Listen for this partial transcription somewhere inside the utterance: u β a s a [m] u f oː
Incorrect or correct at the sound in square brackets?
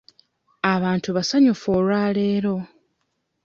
incorrect: ɲ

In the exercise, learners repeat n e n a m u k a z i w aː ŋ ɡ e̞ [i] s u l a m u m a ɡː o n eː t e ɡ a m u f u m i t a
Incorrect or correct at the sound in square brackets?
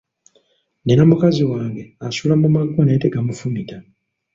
incorrect: a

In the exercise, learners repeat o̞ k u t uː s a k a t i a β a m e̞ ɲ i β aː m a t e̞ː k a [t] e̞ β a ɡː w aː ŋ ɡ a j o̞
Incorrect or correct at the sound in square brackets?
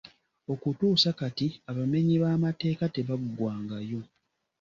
correct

